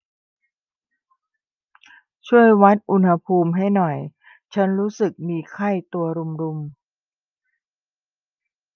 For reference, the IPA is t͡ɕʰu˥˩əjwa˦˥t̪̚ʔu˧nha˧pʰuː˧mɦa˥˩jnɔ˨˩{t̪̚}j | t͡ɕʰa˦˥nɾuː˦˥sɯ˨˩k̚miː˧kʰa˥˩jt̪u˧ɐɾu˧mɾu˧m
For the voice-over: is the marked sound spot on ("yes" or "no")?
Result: no